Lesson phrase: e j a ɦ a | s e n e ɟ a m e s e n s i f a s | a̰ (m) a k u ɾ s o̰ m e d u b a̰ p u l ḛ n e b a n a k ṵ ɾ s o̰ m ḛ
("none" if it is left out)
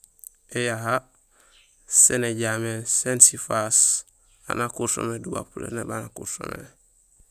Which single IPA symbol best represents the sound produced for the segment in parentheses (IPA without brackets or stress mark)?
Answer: n